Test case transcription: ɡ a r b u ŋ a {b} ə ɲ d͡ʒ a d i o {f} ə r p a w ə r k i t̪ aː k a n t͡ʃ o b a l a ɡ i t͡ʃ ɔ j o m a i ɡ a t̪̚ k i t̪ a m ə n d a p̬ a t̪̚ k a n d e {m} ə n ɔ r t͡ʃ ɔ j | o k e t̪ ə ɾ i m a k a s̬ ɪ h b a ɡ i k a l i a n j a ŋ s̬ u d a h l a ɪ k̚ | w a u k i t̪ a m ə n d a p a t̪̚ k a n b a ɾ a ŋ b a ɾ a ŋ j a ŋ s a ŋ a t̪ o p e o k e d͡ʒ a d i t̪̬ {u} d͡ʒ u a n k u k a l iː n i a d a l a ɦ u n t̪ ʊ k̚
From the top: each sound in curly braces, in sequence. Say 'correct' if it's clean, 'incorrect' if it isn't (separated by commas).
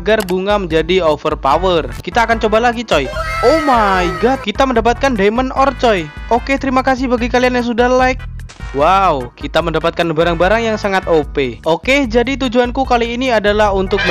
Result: incorrect, correct, correct, correct